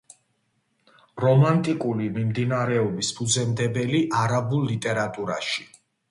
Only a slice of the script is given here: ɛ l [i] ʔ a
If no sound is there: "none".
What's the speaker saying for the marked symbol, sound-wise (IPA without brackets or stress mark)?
i